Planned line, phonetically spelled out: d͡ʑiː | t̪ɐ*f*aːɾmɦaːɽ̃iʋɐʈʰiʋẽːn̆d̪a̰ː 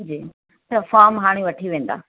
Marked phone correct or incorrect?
correct